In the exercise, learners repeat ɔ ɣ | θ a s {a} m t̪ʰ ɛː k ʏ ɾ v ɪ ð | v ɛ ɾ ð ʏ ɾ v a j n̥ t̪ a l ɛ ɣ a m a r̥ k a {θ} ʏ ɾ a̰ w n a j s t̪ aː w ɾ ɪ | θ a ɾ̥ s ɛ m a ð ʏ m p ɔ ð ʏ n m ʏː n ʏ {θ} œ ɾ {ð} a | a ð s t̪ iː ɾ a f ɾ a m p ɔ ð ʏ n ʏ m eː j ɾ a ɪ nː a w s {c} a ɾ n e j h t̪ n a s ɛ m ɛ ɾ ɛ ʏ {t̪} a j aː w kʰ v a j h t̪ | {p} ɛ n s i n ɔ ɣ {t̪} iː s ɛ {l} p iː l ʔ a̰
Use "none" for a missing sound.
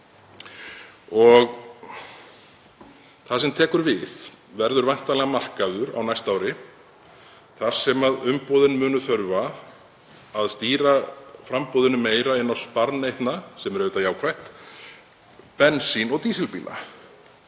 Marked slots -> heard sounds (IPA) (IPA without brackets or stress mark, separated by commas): ɛ, ð, θ, v, p, t̪, p, t̪, l